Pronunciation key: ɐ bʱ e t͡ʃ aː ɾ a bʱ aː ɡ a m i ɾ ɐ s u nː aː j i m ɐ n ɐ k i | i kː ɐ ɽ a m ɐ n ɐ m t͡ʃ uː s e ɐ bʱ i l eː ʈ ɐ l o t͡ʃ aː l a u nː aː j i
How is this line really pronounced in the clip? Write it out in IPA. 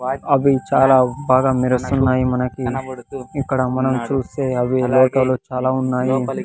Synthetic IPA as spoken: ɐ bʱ i t͡ʃ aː l a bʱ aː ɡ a m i ɾ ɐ s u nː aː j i m ɐ n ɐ k i | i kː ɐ ɽ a m ɐ n ɐ m t͡ʃ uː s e ɐ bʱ i l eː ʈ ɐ l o t͡ʃ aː l a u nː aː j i

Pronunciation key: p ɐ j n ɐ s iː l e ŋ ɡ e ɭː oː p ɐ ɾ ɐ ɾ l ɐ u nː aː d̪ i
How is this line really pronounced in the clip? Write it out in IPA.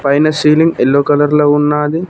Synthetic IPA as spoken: p ɐ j n ɐ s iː l i ŋ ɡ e lː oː k ɐ l ɐ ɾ l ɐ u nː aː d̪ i

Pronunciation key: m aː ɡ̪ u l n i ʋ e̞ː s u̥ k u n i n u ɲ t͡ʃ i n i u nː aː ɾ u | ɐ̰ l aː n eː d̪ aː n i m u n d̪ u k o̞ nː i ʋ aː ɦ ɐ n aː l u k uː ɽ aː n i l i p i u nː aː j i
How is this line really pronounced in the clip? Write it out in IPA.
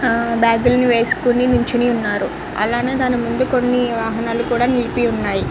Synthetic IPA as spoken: b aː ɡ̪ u l n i ʋ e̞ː s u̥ k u n i n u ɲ t͡ʃ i n i u nː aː ɾ u | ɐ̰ l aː n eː d̪ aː n i m u n d̪ u k o̞ nː i ʋ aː ɦ ɐ n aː l u k uː ɽ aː n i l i p i u nː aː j i

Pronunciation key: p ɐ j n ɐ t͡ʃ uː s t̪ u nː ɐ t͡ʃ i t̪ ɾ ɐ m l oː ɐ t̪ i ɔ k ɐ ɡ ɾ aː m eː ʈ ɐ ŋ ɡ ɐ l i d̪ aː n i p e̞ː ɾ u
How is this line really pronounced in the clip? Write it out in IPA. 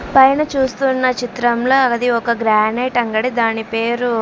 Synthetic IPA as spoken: p ɐ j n ɐ t͡ʃ uː s t̪ u nː ɐ t͡ʃ i t̪ ɾ ɐ m l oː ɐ d̪ i ɔ k ɐ ɡ ɾ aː n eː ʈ ɐ ŋ ɡ ɐ ɽ i d̪ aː n i p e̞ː ɾ u

